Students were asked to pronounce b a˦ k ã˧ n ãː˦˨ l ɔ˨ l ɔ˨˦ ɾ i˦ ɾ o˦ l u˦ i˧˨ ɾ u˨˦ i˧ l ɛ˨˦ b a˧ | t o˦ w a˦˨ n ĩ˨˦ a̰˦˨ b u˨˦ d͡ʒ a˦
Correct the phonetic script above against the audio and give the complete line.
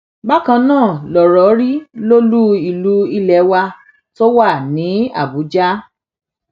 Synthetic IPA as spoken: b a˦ k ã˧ n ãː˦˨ l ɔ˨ ɾ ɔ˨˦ ɾ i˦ l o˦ l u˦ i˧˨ l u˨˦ i˧ l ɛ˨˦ w a˧ | t o˦ w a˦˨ n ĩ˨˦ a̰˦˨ b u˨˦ d͡ʒ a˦